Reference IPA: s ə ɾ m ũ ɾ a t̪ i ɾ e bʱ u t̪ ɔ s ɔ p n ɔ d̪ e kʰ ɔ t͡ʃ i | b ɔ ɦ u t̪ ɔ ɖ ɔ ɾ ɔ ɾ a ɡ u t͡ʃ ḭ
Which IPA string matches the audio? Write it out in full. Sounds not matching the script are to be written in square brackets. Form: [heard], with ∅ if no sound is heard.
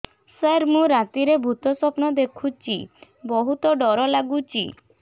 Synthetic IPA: s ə ɾ m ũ ɾ a t̪ i ɾ e bʱ u t̪ ɔ s ɔ p n ɔ d̪ e kʰ [u] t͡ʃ i | b ɔ ɦ u t̪ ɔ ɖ ɔ ɾ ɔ [l] a ɡ u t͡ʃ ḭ